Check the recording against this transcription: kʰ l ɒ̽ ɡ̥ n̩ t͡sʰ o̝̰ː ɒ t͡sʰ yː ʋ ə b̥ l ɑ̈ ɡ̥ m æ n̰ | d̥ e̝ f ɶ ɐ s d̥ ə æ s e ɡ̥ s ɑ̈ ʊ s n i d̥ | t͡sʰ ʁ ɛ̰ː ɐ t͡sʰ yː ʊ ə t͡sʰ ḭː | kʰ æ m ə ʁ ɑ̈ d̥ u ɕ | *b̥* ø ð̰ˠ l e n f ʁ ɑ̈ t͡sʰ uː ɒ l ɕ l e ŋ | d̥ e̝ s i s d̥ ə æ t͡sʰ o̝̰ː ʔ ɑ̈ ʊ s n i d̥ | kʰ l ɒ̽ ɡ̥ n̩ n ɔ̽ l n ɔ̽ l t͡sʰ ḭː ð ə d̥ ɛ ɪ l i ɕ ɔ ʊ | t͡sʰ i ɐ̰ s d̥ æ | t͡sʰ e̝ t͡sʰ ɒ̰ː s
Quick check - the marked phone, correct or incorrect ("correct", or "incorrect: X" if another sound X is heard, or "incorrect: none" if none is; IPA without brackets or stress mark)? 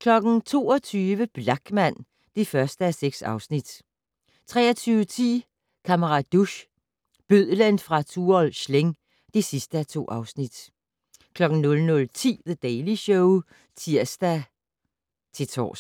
correct